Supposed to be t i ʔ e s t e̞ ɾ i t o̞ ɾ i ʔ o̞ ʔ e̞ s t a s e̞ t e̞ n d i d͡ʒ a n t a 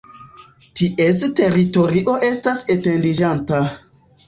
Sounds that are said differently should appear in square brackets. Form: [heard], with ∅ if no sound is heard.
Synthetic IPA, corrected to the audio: t i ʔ e s t e̞ ɾ i t o̞ ɾ i ʔ o̞ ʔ e̞ s t a s e̞ t e̞ n d i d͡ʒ a n t a